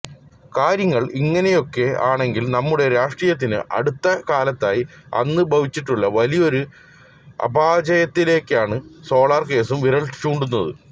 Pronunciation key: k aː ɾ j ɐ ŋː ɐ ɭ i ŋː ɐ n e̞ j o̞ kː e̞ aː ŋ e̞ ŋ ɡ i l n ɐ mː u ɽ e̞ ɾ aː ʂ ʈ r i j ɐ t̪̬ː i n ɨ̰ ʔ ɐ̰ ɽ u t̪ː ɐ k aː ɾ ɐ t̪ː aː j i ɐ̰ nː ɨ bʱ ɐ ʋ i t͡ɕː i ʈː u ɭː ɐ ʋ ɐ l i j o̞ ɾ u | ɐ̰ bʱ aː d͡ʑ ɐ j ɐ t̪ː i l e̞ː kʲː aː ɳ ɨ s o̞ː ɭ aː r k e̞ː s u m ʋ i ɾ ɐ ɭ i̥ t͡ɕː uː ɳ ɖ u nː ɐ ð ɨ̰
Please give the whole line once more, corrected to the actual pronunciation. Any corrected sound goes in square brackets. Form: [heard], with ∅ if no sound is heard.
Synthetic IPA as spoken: k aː ɾ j ɐ ŋː ɐ ɭ i ŋː ɐ n e̞ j o̞ kː e̞ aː [ɳ] e̞ ŋ ɡ i l n ɐ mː u ɽ e̞ ɾ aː ʂ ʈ r i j ɐ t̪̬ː i n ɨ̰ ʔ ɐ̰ ɽ u t̪ː ɐ k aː [l] ɐ t̪ː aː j i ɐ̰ nː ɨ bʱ ɐ ʋ i t͡ɕː i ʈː u ɭː ɐ ʋ ɐ l i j o̞ ɾ u | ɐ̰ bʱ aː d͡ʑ ɐ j ɐ t̪ː i l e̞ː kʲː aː ɳ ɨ s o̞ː ɭ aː r k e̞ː s u m ʋ i ɾ ɐ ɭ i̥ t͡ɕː uː ɳ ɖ u nː ɐ ð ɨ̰